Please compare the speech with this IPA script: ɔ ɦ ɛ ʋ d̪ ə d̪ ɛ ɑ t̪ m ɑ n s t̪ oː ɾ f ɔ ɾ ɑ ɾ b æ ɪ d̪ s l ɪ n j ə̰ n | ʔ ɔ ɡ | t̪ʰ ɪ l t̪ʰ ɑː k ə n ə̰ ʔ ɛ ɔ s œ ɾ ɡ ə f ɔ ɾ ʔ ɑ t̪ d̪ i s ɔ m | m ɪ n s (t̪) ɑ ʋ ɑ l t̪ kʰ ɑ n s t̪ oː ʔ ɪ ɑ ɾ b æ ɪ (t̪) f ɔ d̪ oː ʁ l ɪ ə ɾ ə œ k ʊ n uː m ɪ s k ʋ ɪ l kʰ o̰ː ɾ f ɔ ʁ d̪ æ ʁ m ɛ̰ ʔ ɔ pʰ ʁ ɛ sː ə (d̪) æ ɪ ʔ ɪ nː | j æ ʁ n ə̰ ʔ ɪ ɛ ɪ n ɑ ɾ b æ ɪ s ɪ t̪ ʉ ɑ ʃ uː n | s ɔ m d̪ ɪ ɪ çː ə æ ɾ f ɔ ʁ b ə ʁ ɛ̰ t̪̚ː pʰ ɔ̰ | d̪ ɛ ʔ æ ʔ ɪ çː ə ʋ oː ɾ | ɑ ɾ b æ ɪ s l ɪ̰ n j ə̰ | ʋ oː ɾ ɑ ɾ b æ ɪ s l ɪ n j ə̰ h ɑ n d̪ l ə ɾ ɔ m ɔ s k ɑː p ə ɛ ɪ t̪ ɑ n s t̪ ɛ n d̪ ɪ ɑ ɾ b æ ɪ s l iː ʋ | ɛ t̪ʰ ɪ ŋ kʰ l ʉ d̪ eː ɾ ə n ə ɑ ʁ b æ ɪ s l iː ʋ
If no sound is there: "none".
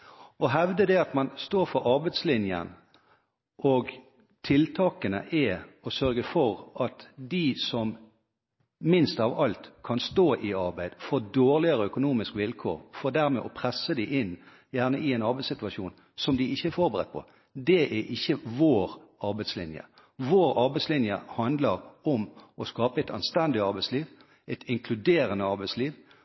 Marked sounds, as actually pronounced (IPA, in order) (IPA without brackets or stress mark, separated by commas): t̪, d̪, d̪